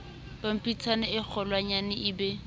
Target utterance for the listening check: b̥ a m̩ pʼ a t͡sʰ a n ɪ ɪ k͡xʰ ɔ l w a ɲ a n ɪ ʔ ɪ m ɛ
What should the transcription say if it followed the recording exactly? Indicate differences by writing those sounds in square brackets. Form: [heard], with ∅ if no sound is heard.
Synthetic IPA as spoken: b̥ a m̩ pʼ [i] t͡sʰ a n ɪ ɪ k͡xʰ ɔ l w a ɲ a n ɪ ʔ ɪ [b] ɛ